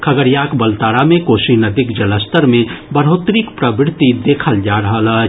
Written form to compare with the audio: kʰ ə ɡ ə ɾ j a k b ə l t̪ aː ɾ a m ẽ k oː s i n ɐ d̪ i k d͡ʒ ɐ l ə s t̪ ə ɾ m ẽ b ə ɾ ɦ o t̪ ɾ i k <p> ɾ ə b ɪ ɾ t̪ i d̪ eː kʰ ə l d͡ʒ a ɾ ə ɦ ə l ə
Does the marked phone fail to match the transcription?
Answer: no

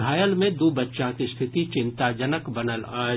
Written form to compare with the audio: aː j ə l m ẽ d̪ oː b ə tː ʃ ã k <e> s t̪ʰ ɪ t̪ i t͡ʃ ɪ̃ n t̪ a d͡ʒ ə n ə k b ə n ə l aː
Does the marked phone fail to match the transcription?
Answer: yes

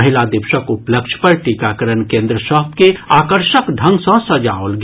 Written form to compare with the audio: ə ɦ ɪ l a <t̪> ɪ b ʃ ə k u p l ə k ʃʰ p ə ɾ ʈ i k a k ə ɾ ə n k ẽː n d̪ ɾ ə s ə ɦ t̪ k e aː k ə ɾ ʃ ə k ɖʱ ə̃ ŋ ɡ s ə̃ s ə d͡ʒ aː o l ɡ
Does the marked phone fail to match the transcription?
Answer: yes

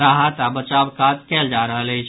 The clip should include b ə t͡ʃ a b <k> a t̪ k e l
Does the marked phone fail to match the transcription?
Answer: no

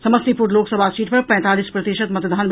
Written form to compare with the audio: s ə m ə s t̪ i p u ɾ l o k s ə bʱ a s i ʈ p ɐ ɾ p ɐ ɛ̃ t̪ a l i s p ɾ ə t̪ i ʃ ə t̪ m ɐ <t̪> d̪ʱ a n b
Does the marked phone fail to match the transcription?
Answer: no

